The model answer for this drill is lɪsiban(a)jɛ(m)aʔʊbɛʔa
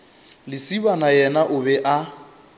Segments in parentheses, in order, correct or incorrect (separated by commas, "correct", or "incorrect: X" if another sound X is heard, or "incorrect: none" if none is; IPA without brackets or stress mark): correct, incorrect: n